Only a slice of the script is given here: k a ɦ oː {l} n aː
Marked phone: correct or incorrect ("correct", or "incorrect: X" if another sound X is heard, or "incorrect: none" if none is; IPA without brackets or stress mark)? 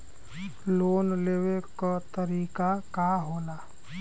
incorrect: none